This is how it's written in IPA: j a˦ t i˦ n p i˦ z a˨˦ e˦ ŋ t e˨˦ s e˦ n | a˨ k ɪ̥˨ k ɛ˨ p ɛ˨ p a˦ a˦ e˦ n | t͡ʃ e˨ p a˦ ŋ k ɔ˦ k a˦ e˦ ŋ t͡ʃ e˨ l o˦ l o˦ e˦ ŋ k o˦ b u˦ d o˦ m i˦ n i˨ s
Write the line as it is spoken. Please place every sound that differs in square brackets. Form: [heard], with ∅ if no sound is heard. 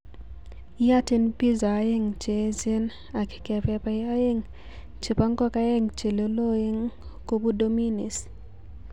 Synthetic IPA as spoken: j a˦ t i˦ n p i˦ z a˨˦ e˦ ŋ [t͡ʃ] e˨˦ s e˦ n | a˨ k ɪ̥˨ k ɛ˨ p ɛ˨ p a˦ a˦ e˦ [ŋ] | t͡ʃ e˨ p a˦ ŋ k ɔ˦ k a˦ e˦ ŋ t͡ʃ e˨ l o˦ l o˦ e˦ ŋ k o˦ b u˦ d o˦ m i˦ n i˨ s